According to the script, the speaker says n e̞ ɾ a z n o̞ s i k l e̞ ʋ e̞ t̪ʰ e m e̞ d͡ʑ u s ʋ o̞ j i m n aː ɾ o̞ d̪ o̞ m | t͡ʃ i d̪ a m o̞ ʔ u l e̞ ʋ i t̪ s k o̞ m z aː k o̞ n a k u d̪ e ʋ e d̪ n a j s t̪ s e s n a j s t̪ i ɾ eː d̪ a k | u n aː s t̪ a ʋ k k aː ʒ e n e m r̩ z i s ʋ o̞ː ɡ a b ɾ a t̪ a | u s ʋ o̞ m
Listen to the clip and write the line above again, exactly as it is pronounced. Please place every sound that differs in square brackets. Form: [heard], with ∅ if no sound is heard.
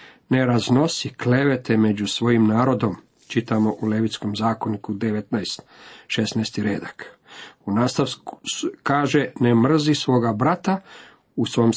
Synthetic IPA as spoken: n e̞ ɾ a z n o̞ s i k l e̞ ʋ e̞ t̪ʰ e m e̞ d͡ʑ u s ʋ o̞ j i m n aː ɾ o̞ d̪ o̞ m | t͡ʃ i [t̪] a m o̞ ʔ u l e̞ ʋ i t̪ s k o̞ m z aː k o̞ n [i] k u d̪ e ʋ e [t̪] n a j s t̪ [ʃ] e s n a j s t̪ i ɾ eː d̪ a k | u n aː s t̪ a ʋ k k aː ʒ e n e m r̩ z i s ʋ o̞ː ɡ a b ɾ a t̪ a | u s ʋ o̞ m